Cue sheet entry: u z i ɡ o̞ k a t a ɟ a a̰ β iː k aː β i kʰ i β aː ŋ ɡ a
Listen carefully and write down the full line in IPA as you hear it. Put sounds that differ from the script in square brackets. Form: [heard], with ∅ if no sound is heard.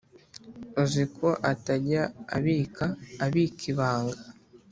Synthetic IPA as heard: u z i [k] o̞ [ʔ] a t a ɟ a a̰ β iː k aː β i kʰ i β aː ŋ ɡ a

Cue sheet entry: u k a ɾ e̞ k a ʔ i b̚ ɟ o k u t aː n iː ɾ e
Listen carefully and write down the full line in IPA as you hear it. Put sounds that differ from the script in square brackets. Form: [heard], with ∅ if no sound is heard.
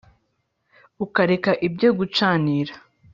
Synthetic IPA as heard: u k a ɾ e̞ k a ʔ i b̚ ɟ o [ɡ] u [t͡ʃ] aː n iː ɾ [a]

